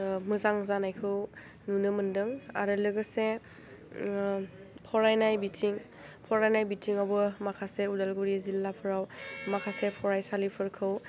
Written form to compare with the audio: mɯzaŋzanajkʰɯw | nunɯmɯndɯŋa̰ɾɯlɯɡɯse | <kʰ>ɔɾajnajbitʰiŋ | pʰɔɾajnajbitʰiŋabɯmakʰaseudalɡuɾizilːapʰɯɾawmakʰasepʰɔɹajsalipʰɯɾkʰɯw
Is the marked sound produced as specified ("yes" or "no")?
no